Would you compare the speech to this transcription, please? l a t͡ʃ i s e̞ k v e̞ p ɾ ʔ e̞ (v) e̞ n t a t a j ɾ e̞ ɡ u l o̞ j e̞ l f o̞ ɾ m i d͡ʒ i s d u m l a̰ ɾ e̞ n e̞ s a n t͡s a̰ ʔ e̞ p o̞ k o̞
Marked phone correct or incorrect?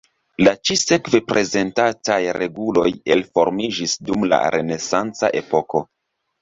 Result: incorrect: z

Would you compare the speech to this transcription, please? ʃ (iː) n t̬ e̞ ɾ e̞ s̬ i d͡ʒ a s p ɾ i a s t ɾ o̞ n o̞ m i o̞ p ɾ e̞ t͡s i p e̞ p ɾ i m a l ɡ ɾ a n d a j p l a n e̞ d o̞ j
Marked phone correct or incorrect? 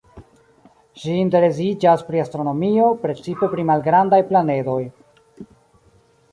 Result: correct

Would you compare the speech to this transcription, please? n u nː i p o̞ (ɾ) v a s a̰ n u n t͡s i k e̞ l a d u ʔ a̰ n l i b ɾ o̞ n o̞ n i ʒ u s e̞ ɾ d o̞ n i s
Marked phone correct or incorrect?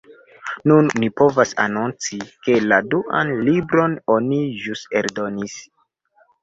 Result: incorrect: none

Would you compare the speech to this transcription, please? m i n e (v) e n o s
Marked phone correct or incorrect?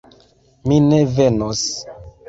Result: correct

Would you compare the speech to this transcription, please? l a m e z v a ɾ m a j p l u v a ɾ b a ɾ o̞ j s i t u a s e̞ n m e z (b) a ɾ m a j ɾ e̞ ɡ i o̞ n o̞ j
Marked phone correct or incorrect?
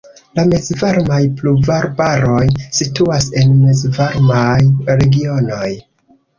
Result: incorrect: v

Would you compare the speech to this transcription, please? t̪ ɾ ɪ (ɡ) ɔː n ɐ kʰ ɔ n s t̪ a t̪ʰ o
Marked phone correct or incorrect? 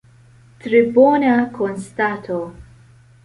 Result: incorrect: b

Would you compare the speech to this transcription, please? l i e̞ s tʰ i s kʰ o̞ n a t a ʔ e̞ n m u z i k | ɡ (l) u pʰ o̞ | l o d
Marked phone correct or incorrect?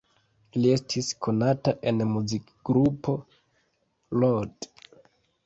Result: incorrect: ɾ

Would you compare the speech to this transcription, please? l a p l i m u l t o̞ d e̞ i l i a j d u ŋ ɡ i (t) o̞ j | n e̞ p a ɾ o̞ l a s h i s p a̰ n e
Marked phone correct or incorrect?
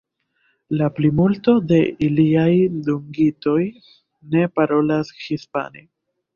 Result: correct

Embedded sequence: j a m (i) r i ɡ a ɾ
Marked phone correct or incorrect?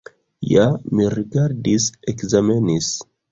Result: correct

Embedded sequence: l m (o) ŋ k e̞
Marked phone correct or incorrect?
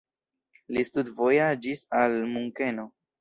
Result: incorrect: u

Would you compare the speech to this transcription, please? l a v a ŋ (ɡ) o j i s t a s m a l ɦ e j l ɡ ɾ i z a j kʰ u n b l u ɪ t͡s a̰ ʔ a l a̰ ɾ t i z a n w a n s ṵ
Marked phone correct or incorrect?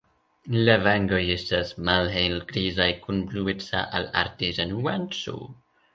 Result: correct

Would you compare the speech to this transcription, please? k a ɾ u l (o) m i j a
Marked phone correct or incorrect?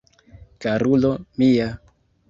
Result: correct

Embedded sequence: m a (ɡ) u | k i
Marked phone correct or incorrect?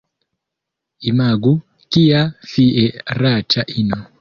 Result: correct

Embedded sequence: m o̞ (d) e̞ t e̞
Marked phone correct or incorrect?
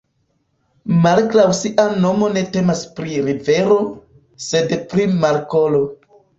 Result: incorrect: n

